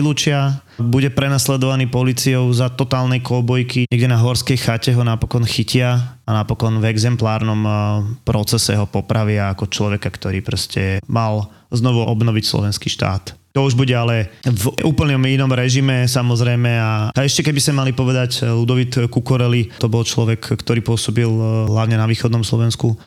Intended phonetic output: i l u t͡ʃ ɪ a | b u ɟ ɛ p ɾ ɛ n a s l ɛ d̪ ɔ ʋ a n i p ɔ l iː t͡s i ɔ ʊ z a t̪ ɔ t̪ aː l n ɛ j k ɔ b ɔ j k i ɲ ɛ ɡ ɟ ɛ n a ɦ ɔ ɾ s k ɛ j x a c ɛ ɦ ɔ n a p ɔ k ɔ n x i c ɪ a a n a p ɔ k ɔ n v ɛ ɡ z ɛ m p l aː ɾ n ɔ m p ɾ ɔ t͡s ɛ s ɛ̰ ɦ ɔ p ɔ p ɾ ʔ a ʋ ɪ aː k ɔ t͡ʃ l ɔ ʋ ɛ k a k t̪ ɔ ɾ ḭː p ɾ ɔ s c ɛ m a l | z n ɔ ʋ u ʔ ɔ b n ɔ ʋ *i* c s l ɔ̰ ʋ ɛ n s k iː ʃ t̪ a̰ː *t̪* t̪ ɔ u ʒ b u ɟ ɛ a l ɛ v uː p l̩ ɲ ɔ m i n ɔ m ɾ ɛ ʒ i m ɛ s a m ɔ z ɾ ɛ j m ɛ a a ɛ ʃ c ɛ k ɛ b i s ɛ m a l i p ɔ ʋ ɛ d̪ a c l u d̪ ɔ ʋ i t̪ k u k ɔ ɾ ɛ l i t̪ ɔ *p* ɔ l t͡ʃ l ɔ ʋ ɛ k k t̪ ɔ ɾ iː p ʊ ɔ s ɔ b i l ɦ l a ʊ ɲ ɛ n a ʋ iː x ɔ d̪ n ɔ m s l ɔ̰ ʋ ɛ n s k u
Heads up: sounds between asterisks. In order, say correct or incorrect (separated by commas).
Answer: correct, correct, incorrect